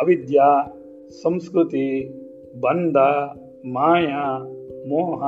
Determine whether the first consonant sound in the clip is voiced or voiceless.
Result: voiced